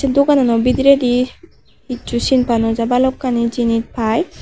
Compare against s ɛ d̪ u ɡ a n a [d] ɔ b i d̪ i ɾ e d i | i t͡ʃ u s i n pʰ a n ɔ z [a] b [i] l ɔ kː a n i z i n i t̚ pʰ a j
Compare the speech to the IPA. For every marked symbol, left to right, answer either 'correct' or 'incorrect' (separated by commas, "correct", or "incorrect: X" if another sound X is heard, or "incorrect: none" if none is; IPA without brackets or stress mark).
incorrect: n, correct, incorrect: a